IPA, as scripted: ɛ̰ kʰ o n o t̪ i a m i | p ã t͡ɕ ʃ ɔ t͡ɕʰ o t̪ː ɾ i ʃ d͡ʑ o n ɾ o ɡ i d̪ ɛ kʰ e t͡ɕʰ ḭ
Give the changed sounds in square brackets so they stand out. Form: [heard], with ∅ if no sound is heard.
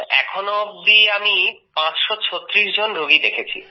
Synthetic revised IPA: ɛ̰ kʰ o n o [d̪] i a m i | p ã t͡ɕ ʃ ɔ t͡ɕʰ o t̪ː ɾ i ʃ d͡ʑ o n ɾ o ɡ i d̪ [e] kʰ e t͡ɕʰ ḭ